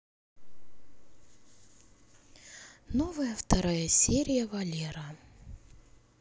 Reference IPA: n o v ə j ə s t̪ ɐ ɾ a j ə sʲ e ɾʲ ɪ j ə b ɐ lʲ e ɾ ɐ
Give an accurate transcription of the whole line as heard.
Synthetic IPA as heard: n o v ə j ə f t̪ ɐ ɾ a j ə sʲ e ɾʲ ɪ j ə v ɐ lʲ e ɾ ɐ